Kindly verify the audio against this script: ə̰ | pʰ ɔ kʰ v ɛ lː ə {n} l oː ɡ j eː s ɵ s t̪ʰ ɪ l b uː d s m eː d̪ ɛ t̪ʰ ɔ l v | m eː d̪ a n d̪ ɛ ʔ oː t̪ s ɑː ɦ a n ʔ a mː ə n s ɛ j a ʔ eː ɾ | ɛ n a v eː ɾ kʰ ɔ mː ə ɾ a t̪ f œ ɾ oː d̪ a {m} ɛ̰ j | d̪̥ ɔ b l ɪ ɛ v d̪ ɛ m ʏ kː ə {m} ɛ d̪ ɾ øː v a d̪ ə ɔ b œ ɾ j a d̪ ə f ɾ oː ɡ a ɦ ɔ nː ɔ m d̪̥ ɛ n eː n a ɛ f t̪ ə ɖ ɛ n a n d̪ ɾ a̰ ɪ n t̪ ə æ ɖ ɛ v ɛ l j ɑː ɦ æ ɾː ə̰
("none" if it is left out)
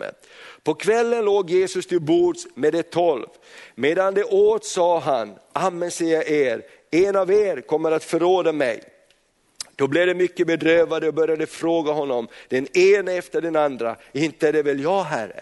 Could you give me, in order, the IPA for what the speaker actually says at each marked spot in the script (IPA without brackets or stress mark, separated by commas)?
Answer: n, m, b